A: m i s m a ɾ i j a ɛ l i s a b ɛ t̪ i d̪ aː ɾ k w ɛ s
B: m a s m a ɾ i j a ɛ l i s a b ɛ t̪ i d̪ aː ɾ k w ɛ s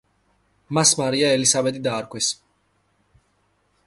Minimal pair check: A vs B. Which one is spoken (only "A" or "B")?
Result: B